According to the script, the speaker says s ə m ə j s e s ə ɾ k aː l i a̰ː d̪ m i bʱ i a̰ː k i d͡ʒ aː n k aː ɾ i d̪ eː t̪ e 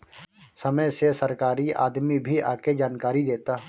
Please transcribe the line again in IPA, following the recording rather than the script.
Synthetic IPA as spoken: s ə m ə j s e s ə ɾ k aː ɾ i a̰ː d̪ m i bʱ i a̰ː k e d͡ʒ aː n k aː ɾ i d̪ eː t̪ a